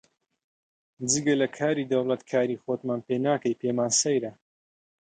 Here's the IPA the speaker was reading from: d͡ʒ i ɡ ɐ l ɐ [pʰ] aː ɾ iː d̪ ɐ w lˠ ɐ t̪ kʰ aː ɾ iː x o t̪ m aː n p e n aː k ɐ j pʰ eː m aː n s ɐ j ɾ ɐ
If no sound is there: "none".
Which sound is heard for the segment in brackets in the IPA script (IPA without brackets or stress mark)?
kʰ